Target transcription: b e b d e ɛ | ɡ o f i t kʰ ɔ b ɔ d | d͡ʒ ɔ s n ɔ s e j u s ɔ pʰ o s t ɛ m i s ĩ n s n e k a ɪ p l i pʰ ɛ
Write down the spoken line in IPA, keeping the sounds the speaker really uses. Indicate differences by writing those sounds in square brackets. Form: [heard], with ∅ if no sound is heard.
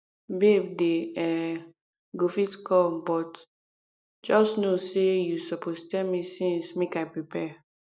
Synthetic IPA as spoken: b e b d e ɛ | ɡ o f i t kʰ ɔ b ɔ [t] | d͡ʒ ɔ s n [o] s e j u s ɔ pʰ o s t ɛ m i s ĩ n s [m] e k a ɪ p [ɹ] i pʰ ɛ